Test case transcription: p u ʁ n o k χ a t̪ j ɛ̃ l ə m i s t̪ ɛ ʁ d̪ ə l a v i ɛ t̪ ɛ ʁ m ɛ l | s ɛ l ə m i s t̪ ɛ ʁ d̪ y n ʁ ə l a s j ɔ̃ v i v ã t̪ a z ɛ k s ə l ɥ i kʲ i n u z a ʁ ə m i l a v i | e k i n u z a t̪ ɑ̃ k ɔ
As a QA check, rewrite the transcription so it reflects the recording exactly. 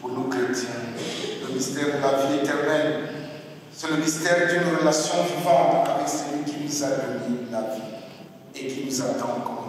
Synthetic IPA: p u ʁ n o k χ e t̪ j ɛ̃ l ə m i s t̪ ɛ ʁ d̪ ə l a v i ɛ t̪ ɛ ʁ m ɛ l | s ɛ l ə m i s t̪ ɛ ʁ d̪ y n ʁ ə l a s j ɔ̃ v i v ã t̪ a v ɛ k s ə l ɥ i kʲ i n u z a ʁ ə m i l a v i | e k i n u z a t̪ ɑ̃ k ɔ